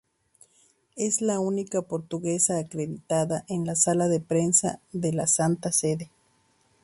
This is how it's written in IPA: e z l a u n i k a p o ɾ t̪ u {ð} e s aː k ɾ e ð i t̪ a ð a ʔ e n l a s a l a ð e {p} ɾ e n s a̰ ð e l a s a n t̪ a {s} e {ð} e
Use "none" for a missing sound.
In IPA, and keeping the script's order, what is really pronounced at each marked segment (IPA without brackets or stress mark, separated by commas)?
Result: ɣ, p, s, ð